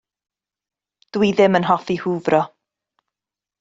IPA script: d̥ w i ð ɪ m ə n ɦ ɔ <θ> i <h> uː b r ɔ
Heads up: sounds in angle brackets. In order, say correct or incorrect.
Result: incorrect, correct

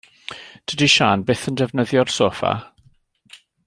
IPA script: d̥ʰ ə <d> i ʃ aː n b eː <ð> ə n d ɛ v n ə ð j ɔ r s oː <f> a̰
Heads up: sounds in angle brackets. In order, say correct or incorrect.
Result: correct, incorrect, correct

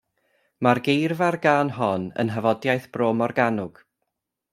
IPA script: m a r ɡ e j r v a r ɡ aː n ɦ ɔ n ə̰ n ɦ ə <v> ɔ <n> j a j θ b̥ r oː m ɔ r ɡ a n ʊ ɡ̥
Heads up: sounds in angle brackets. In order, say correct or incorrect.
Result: correct, incorrect

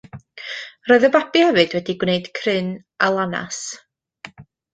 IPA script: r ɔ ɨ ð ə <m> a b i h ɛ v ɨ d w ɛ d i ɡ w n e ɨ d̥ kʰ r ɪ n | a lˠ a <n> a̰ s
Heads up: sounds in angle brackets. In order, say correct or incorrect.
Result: incorrect, correct

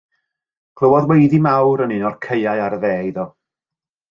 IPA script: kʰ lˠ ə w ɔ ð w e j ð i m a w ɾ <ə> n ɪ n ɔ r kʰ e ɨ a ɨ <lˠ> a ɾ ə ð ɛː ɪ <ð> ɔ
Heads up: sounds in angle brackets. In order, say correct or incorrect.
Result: correct, incorrect, correct

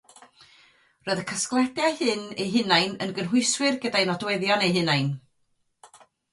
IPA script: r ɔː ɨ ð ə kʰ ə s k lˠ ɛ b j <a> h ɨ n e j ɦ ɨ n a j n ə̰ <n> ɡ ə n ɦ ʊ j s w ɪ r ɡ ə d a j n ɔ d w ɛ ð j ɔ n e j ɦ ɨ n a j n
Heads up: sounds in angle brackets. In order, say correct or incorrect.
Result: correct, correct

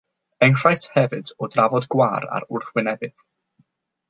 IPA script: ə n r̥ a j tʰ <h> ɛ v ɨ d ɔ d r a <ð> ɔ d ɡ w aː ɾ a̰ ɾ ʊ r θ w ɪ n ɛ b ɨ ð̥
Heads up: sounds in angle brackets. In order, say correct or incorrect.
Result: correct, incorrect

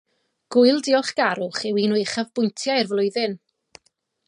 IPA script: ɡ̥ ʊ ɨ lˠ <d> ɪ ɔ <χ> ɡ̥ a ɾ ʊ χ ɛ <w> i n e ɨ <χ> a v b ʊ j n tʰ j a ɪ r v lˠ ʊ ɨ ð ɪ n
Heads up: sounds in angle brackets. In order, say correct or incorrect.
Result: correct, correct, correct, correct

